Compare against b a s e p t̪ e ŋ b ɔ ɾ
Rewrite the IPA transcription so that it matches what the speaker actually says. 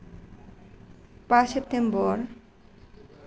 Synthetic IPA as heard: p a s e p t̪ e m b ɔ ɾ